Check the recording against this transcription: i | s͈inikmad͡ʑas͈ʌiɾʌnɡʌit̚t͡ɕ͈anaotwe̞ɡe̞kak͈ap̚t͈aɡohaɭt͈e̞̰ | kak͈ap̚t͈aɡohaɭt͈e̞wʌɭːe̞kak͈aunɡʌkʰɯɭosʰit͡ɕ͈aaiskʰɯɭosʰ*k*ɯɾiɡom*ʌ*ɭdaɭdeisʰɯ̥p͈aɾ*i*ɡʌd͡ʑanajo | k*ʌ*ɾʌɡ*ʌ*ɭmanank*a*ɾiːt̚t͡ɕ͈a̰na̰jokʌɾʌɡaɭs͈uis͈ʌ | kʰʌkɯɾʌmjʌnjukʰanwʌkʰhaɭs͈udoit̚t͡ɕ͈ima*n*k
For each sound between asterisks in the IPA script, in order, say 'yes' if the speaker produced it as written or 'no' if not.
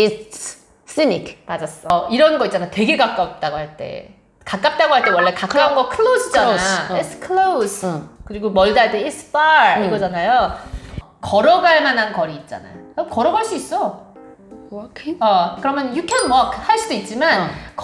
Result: yes, yes, yes, yes, no, no, yes

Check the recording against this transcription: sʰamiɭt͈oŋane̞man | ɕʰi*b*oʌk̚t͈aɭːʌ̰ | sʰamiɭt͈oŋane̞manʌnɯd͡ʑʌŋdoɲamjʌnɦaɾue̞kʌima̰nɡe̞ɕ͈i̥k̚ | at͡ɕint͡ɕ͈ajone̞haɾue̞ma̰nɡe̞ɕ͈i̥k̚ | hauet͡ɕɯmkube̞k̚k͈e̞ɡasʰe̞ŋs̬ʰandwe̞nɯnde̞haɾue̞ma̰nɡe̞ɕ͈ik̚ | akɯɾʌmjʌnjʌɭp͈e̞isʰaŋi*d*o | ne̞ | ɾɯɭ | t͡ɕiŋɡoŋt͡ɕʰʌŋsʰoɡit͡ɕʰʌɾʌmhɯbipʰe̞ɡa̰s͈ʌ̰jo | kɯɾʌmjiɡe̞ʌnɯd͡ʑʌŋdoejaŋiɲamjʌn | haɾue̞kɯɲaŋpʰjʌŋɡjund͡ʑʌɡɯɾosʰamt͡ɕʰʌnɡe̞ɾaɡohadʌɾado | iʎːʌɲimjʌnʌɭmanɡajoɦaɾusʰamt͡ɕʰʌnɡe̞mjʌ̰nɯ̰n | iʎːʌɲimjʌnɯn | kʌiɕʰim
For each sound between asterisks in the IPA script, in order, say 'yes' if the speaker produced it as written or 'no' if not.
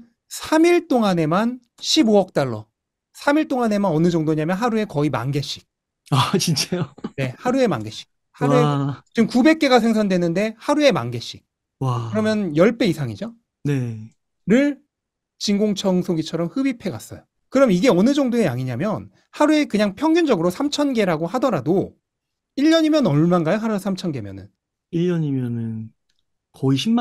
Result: yes, no

